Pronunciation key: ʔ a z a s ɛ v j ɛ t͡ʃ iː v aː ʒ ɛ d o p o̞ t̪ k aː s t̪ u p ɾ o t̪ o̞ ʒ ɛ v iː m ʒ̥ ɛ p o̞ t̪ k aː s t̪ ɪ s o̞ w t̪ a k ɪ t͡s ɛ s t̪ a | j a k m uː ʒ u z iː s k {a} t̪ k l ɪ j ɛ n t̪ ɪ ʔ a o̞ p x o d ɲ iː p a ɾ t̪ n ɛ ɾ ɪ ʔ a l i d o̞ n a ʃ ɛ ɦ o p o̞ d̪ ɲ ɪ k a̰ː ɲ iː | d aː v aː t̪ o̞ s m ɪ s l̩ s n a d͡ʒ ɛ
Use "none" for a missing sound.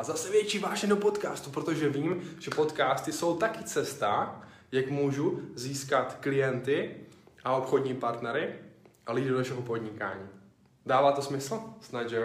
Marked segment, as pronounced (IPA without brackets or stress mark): a